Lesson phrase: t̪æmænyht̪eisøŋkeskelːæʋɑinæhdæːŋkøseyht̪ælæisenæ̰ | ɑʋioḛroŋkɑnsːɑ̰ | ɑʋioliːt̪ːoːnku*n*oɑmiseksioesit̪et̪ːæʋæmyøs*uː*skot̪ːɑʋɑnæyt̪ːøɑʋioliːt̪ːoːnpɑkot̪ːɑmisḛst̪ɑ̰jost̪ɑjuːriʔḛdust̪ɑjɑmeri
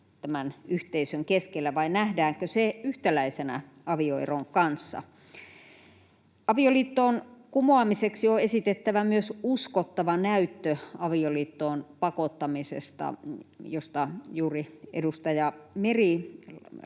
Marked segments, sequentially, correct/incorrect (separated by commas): incorrect, incorrect